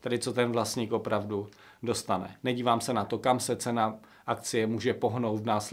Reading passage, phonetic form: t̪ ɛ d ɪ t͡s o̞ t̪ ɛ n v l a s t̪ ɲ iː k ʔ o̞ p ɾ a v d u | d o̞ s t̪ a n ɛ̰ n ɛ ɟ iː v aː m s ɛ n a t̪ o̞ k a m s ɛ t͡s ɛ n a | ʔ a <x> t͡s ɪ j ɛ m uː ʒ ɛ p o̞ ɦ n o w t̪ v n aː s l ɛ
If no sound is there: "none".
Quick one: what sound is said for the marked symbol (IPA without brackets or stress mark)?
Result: k